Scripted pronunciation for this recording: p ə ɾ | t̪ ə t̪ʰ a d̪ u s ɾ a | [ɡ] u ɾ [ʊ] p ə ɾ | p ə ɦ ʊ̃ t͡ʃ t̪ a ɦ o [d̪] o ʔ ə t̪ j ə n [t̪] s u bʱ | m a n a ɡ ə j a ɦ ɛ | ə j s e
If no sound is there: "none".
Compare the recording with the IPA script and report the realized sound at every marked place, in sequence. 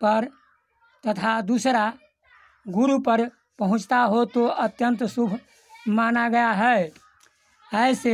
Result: ɡ, u, t̪, t̪

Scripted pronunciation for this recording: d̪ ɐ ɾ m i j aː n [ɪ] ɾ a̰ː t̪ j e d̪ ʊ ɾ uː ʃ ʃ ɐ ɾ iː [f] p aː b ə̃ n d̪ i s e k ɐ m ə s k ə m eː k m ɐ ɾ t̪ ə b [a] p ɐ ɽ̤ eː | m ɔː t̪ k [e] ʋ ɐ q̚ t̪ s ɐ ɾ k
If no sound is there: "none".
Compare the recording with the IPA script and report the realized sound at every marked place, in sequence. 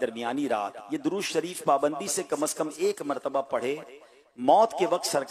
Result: i, f, a, e

